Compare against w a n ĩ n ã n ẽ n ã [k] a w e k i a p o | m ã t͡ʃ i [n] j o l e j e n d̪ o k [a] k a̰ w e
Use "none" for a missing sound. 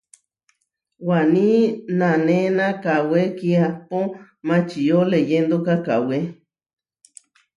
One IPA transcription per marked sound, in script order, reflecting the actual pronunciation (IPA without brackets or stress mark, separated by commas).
k, none, a